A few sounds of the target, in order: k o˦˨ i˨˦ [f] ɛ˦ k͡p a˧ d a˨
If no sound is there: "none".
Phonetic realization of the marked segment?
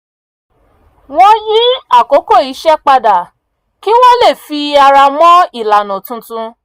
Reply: ʃ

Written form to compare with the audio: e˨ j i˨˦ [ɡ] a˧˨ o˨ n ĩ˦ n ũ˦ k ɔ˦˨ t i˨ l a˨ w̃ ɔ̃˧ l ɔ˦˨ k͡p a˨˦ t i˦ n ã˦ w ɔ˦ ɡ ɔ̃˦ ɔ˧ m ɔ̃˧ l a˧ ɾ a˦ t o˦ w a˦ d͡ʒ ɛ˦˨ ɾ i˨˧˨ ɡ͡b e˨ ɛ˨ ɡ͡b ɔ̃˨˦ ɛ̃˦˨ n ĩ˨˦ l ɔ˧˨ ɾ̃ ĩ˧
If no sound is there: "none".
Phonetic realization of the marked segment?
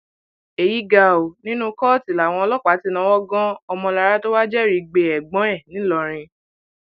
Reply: ɡ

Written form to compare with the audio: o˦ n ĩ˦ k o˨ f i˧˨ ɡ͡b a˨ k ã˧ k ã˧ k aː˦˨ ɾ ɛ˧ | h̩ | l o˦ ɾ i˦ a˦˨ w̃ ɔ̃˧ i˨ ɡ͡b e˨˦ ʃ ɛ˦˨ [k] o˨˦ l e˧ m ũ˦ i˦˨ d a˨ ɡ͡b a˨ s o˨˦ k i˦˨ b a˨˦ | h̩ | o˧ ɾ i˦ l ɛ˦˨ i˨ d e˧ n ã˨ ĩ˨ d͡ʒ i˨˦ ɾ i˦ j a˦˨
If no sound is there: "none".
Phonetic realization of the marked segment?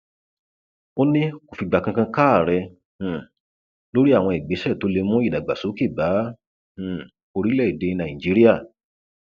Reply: t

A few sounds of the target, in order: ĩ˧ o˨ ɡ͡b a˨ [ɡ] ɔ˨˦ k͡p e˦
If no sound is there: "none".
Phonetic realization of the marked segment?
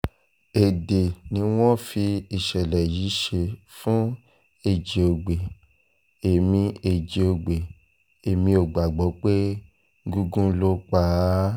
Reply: ɡ͡b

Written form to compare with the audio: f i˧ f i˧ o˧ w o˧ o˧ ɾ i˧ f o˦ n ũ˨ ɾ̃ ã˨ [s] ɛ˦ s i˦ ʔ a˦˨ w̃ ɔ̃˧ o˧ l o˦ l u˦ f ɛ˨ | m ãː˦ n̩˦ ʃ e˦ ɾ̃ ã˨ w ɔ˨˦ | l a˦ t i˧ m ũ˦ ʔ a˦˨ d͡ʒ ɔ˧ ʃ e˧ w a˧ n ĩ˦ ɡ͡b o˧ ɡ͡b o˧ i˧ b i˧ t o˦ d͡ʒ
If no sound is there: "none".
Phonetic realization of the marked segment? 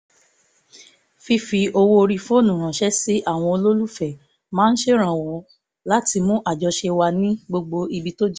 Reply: ʃ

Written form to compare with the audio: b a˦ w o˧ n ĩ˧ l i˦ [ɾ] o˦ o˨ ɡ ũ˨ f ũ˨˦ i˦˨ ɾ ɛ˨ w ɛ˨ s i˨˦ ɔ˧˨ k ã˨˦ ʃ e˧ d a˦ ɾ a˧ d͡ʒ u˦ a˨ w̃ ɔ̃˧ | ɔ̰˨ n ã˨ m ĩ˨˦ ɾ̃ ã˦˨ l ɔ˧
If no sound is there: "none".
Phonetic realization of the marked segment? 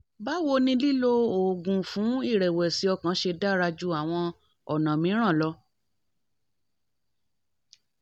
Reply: l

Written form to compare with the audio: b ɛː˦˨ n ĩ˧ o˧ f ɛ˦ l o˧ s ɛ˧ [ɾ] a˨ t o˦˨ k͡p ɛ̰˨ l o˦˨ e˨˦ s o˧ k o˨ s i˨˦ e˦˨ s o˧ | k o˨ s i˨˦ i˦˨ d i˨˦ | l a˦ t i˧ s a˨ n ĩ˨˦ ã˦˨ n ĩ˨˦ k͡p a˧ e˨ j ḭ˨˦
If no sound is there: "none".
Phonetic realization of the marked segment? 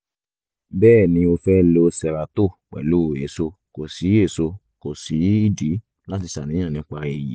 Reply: ɾ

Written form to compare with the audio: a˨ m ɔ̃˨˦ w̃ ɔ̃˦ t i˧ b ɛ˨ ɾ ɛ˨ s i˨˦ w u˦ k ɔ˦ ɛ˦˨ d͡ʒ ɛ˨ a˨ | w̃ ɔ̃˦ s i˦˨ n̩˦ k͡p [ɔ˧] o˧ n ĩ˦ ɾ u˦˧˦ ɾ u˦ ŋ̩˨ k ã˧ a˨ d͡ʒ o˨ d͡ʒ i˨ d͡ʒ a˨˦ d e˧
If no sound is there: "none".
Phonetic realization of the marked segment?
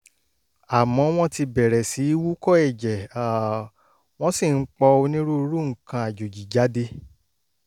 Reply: ɔ˧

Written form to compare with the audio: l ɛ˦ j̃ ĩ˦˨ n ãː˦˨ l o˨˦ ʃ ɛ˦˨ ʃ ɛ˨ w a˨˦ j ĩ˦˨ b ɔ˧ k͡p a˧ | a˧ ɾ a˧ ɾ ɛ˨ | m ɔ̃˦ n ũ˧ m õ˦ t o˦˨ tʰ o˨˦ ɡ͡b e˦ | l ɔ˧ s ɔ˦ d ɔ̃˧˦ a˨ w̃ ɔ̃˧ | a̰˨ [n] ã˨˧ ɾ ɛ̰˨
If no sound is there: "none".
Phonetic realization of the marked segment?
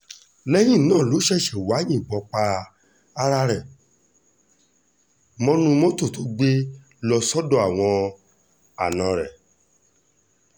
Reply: n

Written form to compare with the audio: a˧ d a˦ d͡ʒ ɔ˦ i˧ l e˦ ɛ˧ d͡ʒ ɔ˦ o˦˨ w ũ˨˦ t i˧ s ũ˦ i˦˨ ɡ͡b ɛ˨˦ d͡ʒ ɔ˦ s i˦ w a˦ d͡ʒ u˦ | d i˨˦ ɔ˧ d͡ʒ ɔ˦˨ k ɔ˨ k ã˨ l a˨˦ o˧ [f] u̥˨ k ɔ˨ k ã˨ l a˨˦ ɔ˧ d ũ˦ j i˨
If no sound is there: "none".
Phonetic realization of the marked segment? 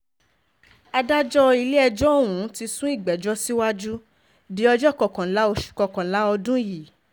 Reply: ʃ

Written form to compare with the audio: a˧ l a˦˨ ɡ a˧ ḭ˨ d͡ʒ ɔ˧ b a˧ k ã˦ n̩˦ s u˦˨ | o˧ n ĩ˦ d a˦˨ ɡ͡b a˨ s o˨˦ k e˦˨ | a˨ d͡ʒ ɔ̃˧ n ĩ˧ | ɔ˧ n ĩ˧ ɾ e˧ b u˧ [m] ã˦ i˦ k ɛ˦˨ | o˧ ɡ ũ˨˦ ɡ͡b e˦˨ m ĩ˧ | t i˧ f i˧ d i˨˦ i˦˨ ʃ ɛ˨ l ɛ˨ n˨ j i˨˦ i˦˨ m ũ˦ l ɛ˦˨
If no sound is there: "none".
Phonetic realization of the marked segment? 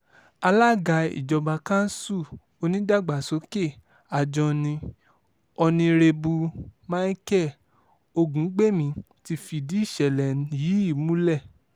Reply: m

